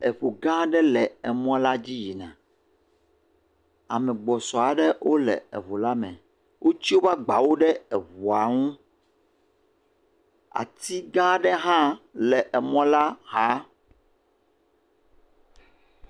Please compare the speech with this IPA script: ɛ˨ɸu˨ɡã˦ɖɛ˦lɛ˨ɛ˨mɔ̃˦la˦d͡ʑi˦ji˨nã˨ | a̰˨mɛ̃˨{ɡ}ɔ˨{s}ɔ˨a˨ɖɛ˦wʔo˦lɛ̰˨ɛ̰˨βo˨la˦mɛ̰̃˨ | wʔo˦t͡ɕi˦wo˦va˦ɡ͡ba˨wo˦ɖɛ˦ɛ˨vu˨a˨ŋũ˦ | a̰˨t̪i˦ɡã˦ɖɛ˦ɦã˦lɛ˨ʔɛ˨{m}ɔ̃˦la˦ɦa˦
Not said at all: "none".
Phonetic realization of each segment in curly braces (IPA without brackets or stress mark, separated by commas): ɡ͡b, s, m